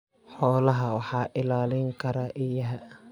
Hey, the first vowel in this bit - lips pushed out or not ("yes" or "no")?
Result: yes